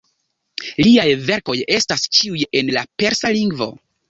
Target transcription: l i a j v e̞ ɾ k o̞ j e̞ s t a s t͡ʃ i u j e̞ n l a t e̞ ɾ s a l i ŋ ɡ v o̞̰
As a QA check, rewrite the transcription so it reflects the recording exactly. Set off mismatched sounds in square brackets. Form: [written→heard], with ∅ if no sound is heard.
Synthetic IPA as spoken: l i a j v e̞ ɾ k o̞ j e̞ s t a s t͡ʃ i u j e̞ n l a [t→p] e̞ ɾ s a l i ŋ ɡ v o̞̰